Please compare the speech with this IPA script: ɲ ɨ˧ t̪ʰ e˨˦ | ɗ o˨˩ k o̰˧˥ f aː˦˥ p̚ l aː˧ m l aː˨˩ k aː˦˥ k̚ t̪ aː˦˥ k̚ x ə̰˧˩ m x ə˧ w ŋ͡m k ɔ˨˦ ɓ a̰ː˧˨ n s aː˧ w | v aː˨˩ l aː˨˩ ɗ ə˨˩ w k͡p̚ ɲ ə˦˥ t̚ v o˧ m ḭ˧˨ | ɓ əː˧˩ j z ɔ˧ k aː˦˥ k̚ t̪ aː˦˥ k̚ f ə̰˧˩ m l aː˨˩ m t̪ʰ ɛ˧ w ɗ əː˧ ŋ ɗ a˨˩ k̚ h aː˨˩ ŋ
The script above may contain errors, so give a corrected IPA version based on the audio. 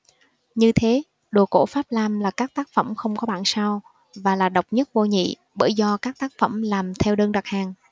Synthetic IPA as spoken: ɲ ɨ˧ t̪ʰ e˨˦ | ɗ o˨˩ k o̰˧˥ f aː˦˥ p̚ l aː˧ m l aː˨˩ k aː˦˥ k̚ t̪ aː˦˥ k̚ f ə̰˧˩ m x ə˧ w ŋ͡m k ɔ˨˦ ɓ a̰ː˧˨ n s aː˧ w | v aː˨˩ l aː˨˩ ɗ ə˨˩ w k͡p̚ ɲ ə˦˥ t̚ v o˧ ɲ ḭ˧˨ | ɓ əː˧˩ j z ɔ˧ k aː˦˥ k̚ t̪ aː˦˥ k̚ f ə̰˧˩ m l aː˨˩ m t̪ʰ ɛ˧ w ɗ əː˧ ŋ ɗ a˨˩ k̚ h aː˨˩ ŋ